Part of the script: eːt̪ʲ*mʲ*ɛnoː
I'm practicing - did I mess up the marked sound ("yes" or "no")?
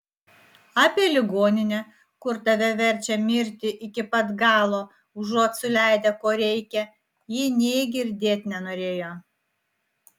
yes